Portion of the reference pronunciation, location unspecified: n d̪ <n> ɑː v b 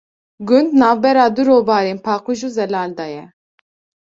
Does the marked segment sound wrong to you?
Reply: no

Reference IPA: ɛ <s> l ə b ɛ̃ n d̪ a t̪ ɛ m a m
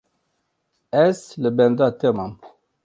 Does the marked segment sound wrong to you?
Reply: no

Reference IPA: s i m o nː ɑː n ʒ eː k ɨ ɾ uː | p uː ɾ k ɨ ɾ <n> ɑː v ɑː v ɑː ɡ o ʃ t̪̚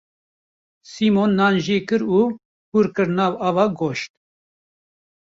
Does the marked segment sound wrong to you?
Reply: no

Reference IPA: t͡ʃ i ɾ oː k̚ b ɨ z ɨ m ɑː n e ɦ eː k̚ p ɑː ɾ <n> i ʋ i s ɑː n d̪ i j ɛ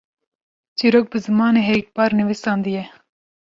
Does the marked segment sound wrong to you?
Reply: no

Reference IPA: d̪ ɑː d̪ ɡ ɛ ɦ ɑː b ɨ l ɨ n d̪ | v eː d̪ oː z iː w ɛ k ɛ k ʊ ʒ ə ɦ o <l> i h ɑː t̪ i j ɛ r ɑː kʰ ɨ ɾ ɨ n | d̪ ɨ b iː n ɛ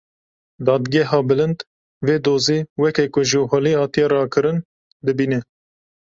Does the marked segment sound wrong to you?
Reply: no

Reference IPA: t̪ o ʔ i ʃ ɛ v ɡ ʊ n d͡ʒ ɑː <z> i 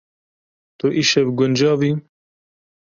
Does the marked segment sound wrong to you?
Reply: yes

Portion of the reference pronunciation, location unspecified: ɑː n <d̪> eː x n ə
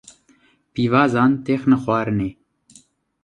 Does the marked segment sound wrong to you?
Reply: yes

